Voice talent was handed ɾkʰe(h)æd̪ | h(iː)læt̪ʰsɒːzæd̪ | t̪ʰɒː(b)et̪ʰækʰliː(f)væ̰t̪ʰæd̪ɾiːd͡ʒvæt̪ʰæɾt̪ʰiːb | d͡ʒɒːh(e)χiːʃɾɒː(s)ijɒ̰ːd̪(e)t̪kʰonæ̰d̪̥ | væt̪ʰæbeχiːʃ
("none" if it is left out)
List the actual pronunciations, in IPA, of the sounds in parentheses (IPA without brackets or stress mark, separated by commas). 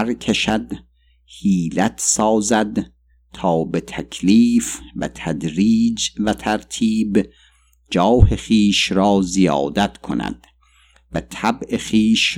ʃ, iː, b, f, e, z, æ